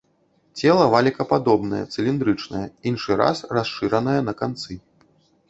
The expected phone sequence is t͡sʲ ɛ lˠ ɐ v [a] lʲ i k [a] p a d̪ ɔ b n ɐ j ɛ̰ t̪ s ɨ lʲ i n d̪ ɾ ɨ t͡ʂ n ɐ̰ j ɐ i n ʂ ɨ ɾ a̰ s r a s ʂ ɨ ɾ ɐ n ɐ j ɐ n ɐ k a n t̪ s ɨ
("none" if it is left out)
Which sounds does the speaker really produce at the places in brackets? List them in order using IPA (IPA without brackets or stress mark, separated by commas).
a, ɐ